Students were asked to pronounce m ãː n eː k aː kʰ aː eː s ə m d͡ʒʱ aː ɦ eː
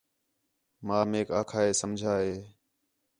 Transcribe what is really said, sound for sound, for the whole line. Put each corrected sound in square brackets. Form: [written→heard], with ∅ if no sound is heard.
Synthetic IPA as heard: m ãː [n→m] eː k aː kʰ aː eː s ə m d͡ʒʱ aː ɦ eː